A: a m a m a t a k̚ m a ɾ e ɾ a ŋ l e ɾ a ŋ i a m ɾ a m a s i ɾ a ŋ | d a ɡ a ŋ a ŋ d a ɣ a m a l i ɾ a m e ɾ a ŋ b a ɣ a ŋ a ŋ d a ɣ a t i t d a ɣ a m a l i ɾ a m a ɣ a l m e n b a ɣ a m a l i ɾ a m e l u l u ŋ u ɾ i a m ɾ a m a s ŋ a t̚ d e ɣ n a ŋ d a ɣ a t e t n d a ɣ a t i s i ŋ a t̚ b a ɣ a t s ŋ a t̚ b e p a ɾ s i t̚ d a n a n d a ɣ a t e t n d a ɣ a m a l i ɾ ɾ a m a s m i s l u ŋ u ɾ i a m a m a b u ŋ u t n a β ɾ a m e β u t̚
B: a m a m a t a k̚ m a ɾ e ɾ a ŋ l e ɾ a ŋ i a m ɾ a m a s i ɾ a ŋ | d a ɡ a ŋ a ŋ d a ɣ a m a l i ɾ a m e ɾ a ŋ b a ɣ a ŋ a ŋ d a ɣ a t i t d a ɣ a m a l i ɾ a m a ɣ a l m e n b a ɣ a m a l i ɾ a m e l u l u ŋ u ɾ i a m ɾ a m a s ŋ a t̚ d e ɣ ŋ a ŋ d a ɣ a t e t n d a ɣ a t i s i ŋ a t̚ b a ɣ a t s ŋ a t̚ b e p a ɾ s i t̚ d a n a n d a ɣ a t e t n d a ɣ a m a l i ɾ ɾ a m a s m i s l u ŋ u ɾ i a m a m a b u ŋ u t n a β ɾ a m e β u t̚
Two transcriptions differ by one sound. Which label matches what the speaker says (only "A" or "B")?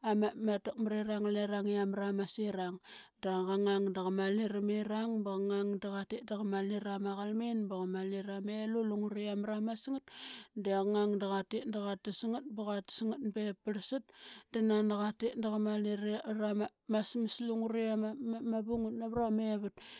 B